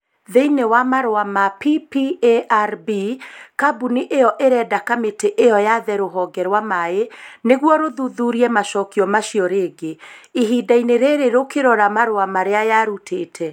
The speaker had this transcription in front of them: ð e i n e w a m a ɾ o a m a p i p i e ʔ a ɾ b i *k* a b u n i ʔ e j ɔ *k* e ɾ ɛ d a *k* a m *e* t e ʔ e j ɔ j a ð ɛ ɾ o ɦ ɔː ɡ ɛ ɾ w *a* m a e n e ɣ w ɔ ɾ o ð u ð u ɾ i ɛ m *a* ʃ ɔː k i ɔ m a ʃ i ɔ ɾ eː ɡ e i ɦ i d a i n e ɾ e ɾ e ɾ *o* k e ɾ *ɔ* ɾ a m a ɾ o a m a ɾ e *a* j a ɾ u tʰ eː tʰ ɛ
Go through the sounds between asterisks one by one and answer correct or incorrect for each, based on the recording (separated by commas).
correct, incorrect, correct, correct, correct, correct, correct, correct, correct